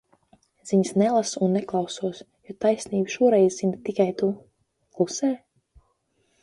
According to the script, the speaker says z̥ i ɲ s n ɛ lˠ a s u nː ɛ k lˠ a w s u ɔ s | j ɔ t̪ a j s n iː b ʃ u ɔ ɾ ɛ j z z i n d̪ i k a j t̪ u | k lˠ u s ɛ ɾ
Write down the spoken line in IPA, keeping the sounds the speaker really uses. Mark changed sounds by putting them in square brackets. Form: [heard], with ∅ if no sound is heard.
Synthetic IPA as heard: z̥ i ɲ s n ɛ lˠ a s u nː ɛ k lˠ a w s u ɔ s | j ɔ t̪ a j s n iː b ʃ u ɔ ɾ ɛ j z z i n [t̪] i k a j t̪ u | k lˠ u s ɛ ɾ